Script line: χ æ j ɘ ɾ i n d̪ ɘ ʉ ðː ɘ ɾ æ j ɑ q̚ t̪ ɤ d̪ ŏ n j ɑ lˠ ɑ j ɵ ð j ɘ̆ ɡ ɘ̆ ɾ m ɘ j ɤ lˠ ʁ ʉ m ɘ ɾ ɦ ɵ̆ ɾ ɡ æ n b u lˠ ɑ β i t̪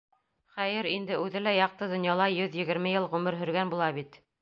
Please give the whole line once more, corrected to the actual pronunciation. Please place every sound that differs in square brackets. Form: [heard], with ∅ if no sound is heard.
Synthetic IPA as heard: χ æ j ɘ ɾ i n d̪ ɘ ʉ [ð] ɘ [l] æ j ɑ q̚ t̪ ɤ d̪ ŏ n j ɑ lˠ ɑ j ɵ ð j ɘ̆ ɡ ɘ̆ ɾ m ɘ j ɤ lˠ ʁ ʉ m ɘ ɾ ɦ ɵ̆ ɾ ɡ æ n b u lˠ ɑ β i t̪